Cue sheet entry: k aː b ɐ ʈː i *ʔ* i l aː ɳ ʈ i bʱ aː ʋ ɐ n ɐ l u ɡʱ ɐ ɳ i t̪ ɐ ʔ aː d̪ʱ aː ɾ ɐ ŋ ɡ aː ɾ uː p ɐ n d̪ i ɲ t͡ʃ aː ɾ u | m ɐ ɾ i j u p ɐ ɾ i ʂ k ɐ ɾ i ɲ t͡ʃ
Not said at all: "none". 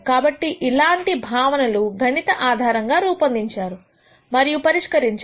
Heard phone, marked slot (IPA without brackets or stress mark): ʔ